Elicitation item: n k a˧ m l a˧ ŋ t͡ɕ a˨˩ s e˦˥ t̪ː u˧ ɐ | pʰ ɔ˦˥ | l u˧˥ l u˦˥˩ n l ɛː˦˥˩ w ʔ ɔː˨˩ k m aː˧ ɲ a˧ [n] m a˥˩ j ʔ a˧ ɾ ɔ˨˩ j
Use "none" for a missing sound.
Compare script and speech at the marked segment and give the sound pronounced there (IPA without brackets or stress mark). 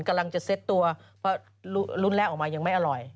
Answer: ŋ